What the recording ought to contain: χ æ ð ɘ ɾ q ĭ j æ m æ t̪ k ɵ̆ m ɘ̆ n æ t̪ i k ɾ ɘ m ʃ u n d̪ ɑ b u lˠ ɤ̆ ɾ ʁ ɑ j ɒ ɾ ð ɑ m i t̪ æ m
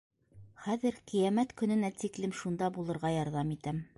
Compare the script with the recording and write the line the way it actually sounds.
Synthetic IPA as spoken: χ æ ð ɘ ɾ q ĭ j æ m æ t̪ k ɵ̆ n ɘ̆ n æ t̪ i k l ɘ m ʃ u n d̪ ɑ b u lˠ ɤ̆ ɾ ʁ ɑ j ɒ ɾ ð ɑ m i t̪ æ m